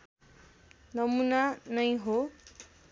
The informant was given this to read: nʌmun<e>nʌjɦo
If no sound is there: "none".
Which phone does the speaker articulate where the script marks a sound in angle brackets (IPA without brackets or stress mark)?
a